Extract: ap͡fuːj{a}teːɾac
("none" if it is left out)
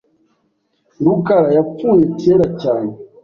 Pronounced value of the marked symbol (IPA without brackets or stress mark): e